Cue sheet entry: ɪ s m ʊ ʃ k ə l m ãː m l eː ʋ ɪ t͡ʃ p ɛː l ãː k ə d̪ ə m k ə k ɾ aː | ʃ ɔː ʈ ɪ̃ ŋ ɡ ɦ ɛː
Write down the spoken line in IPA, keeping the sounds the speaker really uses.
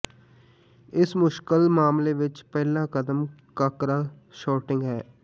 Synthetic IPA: ɪ s m ʊ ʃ k ə l m aː m l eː ʋ ɪ t͡ʃ p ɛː l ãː k ə d̪ ə m k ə k ɾ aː | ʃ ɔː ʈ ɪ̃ ŋ ɡ ɦ ɛː